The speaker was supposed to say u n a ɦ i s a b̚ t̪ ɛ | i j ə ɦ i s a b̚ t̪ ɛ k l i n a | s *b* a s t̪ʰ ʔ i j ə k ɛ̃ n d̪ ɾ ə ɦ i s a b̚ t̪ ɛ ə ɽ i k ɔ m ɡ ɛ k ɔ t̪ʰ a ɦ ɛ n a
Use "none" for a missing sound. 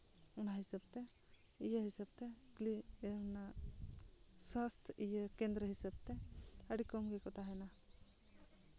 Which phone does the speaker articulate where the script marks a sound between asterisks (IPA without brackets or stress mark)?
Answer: w